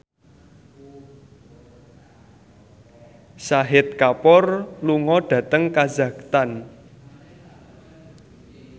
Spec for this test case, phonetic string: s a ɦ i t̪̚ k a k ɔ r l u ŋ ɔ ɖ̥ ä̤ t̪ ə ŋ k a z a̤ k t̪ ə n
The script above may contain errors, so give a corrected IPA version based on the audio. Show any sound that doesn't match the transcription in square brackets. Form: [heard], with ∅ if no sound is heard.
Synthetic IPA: s a ɦ [ɪ] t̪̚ k a [p] ɔ r l u ŋ ɔ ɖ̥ ä̤ t̪ ə ŋ k a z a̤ k t̪ [a] n